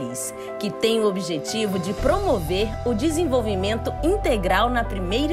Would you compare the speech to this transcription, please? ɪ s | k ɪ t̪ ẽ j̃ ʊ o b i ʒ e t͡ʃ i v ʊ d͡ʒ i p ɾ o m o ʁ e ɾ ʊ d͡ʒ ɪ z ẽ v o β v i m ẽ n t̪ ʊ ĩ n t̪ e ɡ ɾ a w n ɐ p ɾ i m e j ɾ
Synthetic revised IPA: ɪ s | k ɪ t̪ ẽ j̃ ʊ o b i ʒ e t͡ʃ i v ʊ d͡ʒ ɪ p ɾ o m o v e ɾ ʊ d͡ʒ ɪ z ẽ v o w v i m ẽ n t̪ ʊ ĩ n t̪ e ɡ ɾ a w n ɐ p ɾ i m e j ɾ